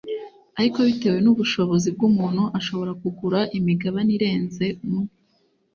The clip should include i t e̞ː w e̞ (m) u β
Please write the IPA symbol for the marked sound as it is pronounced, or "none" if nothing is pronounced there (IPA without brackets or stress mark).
n